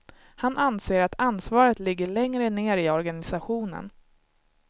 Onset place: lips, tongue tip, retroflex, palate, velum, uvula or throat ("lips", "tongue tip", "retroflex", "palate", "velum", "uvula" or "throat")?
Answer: throat